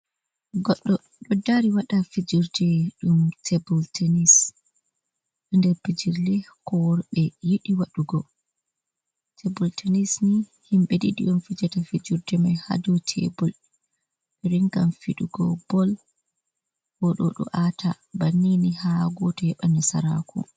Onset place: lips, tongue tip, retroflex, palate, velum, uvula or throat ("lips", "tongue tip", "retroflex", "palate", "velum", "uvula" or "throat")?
velum